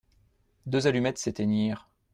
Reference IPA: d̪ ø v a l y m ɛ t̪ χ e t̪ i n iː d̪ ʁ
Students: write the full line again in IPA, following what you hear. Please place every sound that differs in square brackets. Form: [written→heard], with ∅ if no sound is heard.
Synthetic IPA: d̪ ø [v→z] a l y m ɛ t̪ [χ→s] e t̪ [i→e] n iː [d̪→∅] ʁ

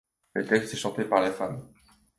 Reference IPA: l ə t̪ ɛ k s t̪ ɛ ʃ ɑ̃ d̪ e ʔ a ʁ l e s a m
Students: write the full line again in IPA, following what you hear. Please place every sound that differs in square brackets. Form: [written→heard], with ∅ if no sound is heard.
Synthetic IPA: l ə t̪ ɛ k s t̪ ɛ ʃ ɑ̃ [d̪→t̪] e [ʔ→p] a ʁ l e [s→f] a m

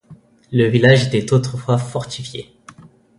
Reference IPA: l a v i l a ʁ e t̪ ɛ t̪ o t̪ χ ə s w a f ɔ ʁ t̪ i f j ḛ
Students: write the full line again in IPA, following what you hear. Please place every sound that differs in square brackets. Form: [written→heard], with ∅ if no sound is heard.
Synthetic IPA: l [a→ə] v i l a [ʁ→ʒ] e t̪ ɛ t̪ o t̪ χ ə [s→f] w a f ɔ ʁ t̪ i f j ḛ

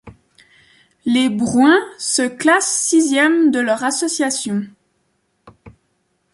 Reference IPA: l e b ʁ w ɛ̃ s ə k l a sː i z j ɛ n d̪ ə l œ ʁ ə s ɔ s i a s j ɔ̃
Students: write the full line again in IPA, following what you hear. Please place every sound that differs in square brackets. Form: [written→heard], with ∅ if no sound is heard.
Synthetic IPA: l e b ʁ w ɛ̃ s ə k l a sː i z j ɛ [n→m] d̪ ə l œ ʁ [ə→a] s ɔ s [i→j] a s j ɔ̃

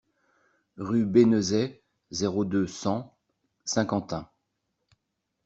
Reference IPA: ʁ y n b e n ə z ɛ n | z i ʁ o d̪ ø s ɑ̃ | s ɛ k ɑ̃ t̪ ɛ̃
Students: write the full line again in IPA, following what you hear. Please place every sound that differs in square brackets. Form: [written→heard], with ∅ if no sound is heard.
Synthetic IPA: ʁ y [n→∅] b e n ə z ɛ [n→∅] | z [i→e] ʁ o d̪ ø s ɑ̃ | s [ɛ→ɛ̃] k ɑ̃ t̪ ɛ̃

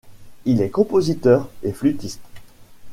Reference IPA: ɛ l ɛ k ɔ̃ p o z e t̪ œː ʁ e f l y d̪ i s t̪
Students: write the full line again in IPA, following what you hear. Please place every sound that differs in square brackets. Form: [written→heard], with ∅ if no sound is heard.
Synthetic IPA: [ɛ→i] l ɛ k ɔ̃ p o z [e→i] t̪ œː ʁ e f l y [d̪→t̪] i s t̪

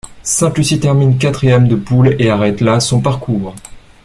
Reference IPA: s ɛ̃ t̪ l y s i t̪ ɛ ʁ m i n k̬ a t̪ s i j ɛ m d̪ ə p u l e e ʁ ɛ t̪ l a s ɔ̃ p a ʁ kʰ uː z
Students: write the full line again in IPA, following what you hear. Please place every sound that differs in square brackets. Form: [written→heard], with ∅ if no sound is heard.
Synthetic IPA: s ɛ̃ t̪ l y s i t̪ ɛ ʁ m i n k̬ a t̪ [s→χ] i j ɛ m d̪ ə p u l e [e→a] ʁ ɛ t̪ l a s ɔ̃ p a ʁ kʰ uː [z→ʁ]

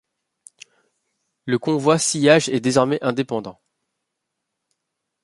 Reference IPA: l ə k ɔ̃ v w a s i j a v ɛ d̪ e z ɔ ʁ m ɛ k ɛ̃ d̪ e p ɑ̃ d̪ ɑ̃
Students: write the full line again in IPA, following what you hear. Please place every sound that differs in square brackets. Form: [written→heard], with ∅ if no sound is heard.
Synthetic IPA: l ə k ɔ̃ v w a s i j a [v→ʒ] ɛ d̪ e z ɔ ʁ m ɛ [k→ʔ] ɛ̃ d̪ e p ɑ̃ d̪ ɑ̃

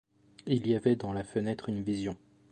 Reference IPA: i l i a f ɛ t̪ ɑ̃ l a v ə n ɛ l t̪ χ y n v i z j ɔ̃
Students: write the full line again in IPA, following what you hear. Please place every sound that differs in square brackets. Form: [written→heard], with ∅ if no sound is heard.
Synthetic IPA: i l i a [f→v] ɛ [t̪→d̪] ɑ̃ l a [v→f] ə n ɛ [l→∅] t̪ χ y n v i z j ɔ̃

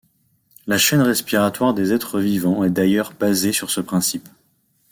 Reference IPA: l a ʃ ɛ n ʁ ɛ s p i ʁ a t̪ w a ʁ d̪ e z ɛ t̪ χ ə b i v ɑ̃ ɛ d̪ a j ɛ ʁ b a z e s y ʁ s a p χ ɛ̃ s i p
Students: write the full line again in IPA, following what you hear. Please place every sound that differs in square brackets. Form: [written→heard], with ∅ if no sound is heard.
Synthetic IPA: l a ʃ ɛ n ʁ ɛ s p i ʁ a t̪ w a ʁ d̪ e z ɛ t̪ χ ə [b→v] i v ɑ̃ ɛ d̪ a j [ɛ→œ] ʁ b a z e s y ʁ s [a→ə] p χ ɛ̃ s i p

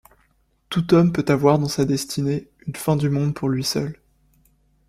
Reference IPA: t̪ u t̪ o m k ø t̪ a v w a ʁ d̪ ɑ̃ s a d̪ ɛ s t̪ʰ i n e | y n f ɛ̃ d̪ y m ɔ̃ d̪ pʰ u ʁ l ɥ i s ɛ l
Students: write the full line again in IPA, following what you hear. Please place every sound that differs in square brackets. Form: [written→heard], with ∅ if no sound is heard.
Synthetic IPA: t̪ u t̪ [o→ɔ] m [k→p] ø t̪ a v w a ʁ d̪ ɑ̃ s a d̪ ɛ s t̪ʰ i n e | y n f ɛ̃ d̪ y m ɔ̃ d̪ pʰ u ʁ l ɥ i s [ɛ→œ] l

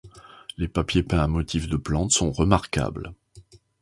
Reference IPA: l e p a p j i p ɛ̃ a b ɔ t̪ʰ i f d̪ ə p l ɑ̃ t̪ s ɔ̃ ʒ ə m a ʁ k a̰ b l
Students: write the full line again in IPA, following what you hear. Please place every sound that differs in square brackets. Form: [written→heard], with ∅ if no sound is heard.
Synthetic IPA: l e p a p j [i→e] p ɛ̃ a [b→m] ɔ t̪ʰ i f d̪ ə p l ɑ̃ t̪ s ɔ̃ [ʒ→ʁ] ə m a ʁ k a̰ b l

